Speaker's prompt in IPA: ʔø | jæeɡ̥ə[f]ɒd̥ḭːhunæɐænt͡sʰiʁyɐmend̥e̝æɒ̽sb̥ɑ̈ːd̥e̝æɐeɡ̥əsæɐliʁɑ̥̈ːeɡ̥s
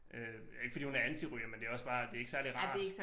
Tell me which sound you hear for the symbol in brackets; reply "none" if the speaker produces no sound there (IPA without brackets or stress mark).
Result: f